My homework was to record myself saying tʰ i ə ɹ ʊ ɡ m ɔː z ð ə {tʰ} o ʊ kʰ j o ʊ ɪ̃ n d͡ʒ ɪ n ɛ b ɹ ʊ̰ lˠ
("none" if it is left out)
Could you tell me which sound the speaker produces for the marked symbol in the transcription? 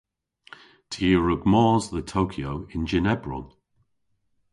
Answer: tʰ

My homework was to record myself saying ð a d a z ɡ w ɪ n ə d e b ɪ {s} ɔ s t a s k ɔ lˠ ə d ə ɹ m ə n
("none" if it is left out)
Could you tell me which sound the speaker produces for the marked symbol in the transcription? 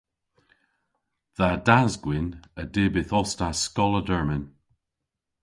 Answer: θ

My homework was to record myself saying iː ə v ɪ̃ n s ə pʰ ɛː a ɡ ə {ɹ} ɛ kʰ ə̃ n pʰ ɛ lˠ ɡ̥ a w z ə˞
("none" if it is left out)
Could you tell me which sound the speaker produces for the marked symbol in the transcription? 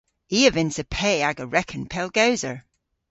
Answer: ɹ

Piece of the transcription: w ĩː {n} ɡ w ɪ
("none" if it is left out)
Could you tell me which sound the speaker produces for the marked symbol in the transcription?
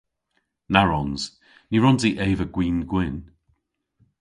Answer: n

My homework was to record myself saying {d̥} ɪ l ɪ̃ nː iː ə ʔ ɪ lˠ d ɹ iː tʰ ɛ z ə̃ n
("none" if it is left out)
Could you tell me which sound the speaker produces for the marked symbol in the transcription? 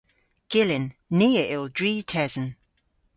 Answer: ɡ̥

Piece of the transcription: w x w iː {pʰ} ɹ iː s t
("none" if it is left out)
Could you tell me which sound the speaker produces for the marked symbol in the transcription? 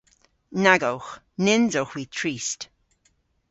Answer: tʰ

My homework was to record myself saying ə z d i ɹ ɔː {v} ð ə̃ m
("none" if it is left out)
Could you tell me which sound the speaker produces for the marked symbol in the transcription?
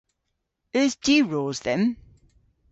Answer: z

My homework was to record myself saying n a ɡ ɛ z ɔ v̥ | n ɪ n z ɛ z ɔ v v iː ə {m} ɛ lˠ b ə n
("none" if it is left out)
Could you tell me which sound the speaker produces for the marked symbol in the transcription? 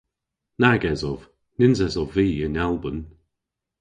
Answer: n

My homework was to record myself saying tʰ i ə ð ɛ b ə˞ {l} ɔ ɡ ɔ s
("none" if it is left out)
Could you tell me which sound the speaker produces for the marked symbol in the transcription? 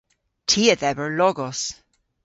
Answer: l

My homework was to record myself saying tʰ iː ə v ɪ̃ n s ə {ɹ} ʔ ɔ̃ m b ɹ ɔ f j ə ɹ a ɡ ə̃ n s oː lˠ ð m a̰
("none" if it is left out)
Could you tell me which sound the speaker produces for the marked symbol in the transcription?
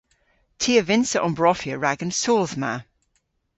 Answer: none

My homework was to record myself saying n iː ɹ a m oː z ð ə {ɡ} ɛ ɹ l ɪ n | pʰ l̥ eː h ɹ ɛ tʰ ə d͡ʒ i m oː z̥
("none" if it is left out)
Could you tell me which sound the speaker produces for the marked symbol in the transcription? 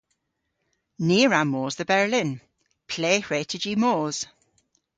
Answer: b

